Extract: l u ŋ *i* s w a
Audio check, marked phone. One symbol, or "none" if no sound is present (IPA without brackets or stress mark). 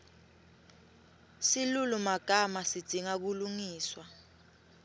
iː